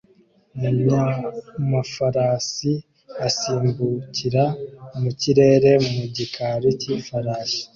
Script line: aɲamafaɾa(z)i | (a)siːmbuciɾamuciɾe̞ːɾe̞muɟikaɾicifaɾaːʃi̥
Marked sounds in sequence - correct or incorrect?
incorrect: s, correct

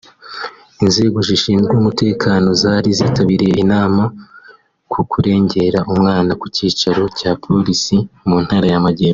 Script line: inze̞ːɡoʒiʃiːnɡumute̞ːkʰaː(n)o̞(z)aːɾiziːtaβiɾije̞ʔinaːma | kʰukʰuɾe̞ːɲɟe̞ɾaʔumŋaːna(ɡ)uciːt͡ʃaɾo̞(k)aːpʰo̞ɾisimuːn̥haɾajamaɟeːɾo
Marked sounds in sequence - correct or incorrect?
correct, correct, incorrect: k, incorrect: c

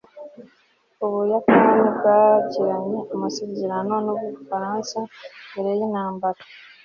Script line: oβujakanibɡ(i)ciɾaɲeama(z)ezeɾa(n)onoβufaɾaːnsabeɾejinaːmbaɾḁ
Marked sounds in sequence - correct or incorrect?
incorrect: a, incorrect: s, correct

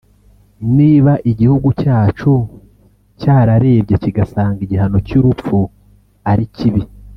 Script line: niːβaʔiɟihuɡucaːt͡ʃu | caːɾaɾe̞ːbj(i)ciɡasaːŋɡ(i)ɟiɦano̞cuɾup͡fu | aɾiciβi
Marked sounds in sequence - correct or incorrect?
incorrect: e, correct

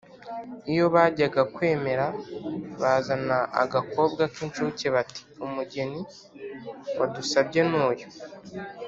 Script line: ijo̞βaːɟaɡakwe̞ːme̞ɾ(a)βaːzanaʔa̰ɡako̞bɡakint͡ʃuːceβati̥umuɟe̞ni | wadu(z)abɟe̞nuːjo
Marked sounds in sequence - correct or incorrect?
correct, incorrect: s

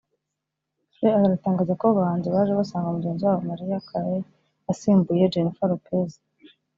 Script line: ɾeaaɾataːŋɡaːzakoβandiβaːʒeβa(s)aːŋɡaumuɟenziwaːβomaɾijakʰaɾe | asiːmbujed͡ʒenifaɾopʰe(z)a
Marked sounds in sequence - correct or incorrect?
correct, correct

